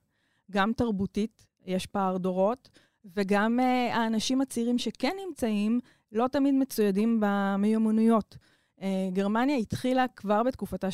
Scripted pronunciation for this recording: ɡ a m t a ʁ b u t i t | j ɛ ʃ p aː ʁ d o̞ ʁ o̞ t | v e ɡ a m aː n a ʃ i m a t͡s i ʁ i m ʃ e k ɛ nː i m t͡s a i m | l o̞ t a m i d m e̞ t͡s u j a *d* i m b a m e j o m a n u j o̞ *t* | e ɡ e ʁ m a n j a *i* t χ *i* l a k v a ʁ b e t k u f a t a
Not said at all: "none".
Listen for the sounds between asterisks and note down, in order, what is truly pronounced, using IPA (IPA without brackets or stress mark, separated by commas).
d, t, i, i